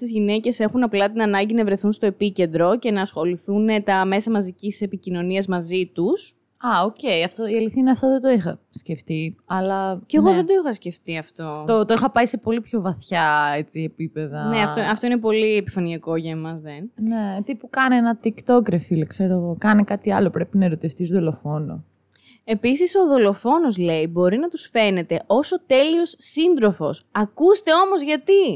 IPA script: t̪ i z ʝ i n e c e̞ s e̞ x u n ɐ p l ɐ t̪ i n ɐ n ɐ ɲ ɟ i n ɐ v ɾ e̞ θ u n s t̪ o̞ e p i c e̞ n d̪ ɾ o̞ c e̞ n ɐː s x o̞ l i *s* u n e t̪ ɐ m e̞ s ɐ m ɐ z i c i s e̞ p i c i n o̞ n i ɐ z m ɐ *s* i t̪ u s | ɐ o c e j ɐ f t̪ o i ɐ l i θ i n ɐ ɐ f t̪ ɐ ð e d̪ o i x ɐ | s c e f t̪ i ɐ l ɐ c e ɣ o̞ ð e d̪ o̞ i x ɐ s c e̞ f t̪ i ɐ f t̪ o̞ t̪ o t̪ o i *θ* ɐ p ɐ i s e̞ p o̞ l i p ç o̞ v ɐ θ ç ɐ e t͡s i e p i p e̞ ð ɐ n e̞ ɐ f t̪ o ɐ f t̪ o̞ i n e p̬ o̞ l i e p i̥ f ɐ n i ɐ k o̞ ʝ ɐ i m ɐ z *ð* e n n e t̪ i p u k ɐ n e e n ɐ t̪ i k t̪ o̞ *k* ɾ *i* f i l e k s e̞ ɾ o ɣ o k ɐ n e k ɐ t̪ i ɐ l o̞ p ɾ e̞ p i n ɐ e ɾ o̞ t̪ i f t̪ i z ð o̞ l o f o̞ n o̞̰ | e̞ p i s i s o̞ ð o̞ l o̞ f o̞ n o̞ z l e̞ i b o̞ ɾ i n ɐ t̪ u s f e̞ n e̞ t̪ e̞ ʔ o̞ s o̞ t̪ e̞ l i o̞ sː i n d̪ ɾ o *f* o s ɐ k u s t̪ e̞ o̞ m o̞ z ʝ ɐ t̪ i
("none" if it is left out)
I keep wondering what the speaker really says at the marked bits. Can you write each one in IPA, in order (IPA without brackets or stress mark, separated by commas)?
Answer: θ, z, x, ð, k, e, f